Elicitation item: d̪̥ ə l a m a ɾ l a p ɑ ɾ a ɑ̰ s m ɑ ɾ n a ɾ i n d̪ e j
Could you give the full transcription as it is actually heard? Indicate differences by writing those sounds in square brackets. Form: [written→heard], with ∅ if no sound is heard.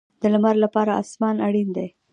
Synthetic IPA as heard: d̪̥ ə l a m a ɾ l a p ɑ ɾ a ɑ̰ s m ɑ [ɾ→∅] n a [ɾ→ɽ] i n d̪ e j